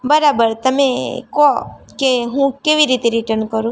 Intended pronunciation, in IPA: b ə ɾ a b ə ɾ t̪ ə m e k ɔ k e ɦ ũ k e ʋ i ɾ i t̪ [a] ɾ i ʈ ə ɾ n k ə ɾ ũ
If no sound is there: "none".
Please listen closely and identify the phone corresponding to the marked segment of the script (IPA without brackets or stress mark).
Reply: e